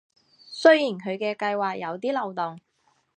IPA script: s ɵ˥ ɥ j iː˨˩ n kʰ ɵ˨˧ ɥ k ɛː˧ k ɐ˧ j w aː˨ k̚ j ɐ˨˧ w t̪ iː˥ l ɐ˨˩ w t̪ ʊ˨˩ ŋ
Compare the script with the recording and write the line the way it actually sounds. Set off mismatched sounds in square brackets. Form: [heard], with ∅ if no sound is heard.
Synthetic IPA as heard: s ɵ˥ ɥ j iː˨˩ n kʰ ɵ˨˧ ɥ k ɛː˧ k ɐ˧ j w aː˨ k̚ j ɐ˨˧ w t̪ iː˥ l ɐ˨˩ w t̪ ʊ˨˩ ŋ